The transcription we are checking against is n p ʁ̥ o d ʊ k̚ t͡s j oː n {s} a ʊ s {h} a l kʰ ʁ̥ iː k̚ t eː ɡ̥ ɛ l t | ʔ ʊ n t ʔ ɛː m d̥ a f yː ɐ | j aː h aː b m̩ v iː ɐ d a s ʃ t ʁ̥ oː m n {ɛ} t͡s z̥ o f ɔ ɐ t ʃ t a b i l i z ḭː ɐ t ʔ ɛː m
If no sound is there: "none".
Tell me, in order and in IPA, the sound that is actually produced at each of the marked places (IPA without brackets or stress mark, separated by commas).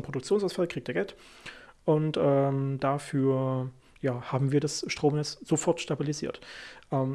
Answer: s, f, ɛ